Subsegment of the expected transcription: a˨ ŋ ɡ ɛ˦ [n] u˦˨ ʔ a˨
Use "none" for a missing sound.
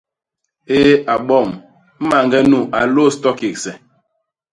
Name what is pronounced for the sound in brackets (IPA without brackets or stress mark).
n